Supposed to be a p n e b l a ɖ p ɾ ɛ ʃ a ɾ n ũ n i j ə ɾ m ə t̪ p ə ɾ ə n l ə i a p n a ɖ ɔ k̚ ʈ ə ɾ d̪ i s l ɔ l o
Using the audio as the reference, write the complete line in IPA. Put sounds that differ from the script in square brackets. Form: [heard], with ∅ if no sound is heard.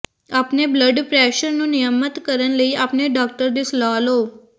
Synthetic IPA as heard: a p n e b l [ə] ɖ p ɾ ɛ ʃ [ə] ɾ n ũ n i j ə [∅] m ə t̪ [k] ə ɾ ə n l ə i a p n [e] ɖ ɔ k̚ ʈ ə ɾ d̪ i s l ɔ l o